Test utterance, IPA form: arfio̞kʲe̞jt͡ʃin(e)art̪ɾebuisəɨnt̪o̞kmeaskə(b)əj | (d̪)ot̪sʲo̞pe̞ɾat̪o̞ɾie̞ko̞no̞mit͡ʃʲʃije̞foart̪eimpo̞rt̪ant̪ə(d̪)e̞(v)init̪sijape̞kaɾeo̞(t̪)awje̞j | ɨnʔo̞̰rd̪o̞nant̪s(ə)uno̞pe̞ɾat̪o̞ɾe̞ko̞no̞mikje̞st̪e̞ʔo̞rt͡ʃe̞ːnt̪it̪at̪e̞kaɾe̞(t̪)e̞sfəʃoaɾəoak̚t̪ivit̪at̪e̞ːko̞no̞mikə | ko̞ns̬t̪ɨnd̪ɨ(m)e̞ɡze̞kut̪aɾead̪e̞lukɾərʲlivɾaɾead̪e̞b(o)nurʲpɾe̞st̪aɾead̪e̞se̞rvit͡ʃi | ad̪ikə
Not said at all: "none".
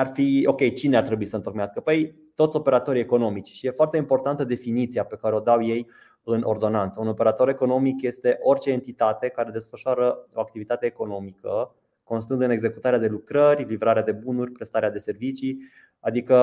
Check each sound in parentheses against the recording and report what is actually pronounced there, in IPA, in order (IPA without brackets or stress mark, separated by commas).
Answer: e, p, t̪, d̪, f, d̪, ə, d̪, n, u